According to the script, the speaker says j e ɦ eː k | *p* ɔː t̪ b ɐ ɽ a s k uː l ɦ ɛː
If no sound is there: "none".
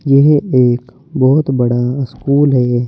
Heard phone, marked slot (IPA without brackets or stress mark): b